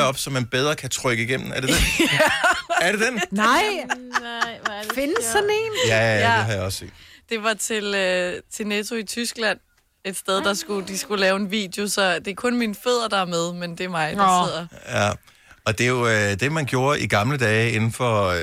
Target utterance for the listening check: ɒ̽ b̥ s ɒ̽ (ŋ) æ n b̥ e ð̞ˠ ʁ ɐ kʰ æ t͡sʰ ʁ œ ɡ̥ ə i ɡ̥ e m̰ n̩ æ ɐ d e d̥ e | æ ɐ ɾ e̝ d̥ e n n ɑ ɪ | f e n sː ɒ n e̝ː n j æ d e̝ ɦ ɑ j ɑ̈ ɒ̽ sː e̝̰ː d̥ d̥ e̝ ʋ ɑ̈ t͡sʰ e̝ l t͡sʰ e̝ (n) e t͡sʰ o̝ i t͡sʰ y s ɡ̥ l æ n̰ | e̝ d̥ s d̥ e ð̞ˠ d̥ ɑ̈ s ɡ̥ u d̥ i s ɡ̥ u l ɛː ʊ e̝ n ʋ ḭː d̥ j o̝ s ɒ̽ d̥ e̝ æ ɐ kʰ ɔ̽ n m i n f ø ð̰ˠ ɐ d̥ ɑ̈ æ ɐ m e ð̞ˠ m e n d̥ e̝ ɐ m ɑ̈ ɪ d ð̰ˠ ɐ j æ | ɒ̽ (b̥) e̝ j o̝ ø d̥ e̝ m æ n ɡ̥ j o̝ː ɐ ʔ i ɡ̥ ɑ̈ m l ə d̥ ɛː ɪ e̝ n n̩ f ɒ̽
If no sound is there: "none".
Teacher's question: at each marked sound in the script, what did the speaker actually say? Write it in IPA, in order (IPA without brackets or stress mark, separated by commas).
m, n, d̥